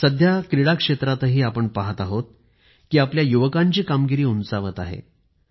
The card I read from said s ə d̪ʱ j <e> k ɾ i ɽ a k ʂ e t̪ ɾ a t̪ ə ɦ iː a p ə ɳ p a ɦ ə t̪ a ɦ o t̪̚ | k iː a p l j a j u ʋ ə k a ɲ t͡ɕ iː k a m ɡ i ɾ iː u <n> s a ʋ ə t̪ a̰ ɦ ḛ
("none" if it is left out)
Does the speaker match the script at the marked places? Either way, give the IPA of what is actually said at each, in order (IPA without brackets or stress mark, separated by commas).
a, n